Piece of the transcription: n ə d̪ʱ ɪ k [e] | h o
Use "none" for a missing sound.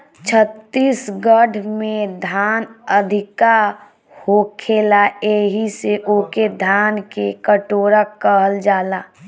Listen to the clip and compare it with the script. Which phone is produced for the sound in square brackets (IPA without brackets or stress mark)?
a